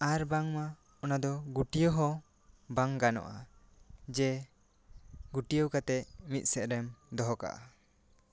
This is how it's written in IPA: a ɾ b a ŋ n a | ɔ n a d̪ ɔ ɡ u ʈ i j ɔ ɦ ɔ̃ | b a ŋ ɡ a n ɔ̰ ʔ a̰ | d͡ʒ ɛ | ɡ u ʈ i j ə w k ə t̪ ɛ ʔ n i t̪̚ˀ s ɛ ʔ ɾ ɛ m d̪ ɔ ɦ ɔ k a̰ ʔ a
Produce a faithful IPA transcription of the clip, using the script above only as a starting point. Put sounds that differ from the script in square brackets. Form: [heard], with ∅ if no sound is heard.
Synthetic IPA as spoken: a ɾ b a ŋ [m] a | ɔ n a d̪ ɔ ɡ u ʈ i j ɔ ɦ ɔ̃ | b a ŋ ɡ a n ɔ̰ ʔ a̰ | d͡ʒ ɛ | ɡ u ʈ i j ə w k [a] t̪ ɛ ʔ [m] i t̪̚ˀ s ɛ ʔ ɾ ɛ m d̪ ɔ ɦ ɔ k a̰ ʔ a